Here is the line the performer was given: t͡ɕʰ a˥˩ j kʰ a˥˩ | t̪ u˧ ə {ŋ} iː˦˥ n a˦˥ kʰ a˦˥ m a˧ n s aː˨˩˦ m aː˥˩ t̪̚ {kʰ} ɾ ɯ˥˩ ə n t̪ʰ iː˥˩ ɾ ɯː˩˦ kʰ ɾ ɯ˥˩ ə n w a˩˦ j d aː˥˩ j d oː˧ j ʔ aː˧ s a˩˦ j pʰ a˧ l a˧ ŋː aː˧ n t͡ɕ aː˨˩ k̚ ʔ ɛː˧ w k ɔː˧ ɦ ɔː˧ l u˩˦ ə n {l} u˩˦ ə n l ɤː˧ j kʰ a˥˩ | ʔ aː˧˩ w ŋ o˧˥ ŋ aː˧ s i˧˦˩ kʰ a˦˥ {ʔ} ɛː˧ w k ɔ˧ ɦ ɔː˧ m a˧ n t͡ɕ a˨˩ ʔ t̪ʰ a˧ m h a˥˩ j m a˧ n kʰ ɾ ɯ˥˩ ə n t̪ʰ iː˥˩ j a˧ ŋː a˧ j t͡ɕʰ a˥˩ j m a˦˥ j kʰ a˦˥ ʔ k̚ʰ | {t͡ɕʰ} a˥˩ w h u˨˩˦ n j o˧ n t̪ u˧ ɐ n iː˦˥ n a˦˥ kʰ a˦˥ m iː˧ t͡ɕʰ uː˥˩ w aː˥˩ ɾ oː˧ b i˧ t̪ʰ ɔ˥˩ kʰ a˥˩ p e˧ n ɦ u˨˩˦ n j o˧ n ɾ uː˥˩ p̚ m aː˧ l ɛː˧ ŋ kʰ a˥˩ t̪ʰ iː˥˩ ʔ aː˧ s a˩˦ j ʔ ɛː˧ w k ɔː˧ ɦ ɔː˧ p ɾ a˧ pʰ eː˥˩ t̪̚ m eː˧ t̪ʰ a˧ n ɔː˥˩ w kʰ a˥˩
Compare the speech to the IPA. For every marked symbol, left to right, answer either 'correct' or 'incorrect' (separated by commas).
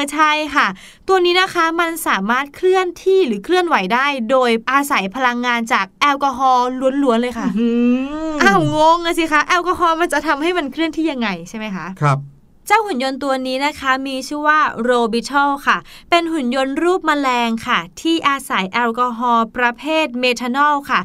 incorrect, correct, correct, correct, incorrect